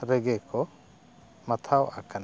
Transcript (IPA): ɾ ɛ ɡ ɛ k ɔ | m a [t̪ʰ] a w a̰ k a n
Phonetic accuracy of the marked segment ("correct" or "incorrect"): correct